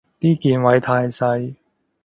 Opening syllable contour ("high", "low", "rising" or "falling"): high